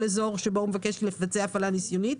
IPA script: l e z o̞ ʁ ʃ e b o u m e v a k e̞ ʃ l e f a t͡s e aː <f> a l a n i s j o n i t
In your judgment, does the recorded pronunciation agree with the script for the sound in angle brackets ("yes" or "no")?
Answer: yes